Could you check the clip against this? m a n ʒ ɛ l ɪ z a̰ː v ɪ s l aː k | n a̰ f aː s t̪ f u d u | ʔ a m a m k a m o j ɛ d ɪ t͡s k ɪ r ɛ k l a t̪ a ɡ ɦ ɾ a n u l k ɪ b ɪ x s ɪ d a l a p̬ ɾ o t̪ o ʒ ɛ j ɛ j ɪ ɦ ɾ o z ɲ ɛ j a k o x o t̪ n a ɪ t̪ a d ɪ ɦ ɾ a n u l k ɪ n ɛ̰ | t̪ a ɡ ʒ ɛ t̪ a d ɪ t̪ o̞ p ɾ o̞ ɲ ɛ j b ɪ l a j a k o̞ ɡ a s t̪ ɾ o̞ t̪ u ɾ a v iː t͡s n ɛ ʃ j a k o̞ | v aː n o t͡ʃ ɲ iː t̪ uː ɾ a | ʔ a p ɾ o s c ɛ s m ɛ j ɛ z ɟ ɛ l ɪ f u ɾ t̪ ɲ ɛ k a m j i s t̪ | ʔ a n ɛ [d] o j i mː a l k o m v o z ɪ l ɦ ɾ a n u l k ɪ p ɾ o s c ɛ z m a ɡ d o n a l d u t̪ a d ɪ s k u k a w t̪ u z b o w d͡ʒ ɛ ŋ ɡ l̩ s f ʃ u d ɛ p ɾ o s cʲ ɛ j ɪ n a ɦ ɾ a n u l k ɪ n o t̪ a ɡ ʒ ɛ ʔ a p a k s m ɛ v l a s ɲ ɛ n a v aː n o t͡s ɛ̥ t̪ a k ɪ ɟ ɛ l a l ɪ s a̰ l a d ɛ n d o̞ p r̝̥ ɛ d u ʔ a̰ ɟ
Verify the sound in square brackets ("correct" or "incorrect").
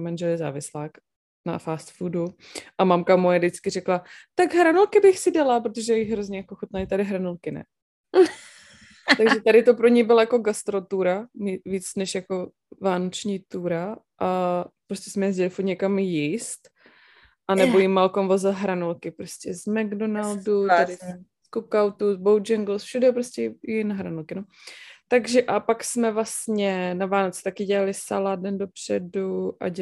incorrect